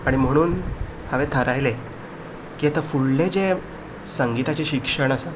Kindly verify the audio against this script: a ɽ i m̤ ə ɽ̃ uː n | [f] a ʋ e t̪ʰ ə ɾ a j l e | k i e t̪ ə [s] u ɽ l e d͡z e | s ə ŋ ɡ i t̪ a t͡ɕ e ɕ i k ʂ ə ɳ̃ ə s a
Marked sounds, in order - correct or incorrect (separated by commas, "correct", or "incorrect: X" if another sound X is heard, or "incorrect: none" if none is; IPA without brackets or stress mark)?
incorrect: h, incorrect: f